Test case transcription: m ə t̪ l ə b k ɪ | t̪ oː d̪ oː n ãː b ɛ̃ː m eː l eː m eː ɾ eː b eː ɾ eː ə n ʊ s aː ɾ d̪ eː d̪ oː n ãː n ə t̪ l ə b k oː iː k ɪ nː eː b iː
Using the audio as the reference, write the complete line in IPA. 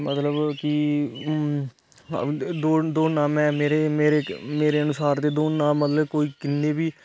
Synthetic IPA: m ə t̪ l ə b k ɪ | d̪ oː d̪ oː n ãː m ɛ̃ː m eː ɾ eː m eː ɾ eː m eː ɾ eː ə n ʊ s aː ɾ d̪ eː d̪ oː n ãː m ə t̪ l ə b k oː iː k ɪ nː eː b iː